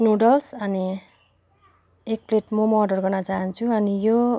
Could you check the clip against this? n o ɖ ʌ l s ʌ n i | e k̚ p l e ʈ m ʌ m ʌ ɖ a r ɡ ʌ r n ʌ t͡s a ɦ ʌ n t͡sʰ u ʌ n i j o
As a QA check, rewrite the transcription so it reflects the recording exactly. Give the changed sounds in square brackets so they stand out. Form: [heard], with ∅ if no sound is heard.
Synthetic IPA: n o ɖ ʌ l s ʌ n i | e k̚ p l e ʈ m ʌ m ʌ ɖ [ʌ] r ɡ ʌ r n ʌ t͡s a ɦ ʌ n t͡sʰ u ʌ n i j o